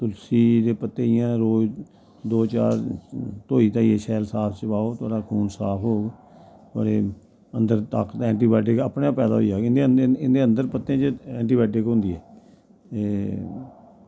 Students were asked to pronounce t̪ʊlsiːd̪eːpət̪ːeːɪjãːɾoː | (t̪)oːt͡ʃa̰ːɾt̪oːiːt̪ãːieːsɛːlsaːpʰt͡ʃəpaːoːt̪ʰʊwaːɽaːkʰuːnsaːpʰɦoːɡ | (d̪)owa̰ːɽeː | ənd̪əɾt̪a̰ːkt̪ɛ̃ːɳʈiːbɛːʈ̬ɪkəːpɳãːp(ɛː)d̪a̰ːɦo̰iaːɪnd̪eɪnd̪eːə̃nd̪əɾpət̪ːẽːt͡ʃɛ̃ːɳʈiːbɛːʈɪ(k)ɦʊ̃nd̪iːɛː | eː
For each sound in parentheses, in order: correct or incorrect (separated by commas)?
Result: incorrect, incorrect, correct, correct